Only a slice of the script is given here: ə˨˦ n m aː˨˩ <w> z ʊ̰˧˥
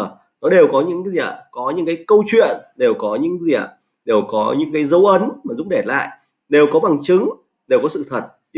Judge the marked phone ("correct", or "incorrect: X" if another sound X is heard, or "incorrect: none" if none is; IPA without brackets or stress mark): incorrect: none